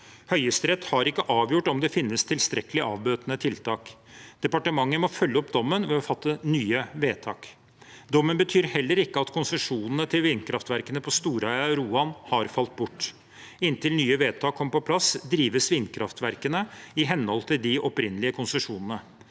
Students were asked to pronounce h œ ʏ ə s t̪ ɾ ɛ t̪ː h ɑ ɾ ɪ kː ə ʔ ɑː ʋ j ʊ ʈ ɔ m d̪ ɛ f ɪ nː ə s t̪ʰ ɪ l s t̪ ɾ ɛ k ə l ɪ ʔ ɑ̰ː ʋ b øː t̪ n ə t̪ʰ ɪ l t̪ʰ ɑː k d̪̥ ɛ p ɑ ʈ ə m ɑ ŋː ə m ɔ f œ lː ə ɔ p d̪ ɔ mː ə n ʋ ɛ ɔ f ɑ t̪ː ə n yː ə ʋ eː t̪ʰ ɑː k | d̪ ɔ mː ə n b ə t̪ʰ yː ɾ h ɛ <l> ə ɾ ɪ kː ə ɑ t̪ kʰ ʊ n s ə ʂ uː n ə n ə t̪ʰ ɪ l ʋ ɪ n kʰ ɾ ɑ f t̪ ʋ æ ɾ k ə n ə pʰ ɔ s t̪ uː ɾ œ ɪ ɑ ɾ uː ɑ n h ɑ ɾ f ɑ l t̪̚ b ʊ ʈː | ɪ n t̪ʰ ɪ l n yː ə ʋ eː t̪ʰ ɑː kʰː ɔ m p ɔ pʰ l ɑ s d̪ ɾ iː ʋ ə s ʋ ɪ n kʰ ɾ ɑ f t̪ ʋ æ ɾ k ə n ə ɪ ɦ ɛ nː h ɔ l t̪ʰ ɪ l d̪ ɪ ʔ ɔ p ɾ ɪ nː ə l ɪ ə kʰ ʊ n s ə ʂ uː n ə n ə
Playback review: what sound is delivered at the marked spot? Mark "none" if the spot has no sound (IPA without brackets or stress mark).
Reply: lː